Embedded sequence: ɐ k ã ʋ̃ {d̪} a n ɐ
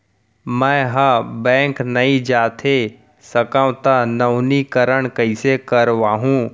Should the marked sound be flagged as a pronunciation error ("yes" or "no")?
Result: yes